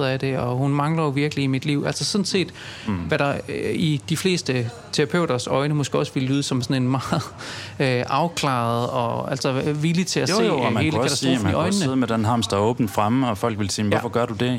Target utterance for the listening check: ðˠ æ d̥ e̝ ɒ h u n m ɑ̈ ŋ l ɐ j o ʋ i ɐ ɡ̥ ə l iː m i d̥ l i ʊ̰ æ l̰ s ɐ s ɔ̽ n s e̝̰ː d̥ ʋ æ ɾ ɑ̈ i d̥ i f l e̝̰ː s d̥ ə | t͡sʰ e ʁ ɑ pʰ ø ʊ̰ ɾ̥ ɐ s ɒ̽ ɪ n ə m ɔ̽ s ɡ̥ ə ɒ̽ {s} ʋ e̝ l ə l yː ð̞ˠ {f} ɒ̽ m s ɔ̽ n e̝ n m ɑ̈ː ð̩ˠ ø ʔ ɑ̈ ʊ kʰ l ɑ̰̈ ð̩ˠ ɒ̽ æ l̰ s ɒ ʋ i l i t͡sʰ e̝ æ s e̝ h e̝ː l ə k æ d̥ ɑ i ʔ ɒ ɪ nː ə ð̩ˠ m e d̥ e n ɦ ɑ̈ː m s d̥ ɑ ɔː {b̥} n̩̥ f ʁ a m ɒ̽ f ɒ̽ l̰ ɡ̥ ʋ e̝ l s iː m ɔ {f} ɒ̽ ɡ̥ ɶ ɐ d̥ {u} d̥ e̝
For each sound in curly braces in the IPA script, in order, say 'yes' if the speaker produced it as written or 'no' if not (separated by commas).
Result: yes, no, yes, yes, yes